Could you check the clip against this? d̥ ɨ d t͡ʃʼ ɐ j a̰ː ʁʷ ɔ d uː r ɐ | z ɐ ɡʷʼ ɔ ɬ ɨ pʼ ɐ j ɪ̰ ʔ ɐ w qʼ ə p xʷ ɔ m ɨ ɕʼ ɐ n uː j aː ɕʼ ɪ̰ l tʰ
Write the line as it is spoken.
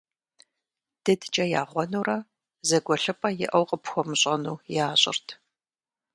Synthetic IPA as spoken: d̥ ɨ d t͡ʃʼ ɐ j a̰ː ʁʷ ɔ n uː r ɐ | z ɐ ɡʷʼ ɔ ɬ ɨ pʼ ɐ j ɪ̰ ʔ ɐ w qʼ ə p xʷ ɔ m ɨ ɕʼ ɐ n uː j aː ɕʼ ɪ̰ r tʰ